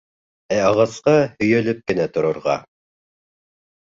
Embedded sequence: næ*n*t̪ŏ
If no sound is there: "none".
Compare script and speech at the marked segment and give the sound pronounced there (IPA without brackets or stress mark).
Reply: none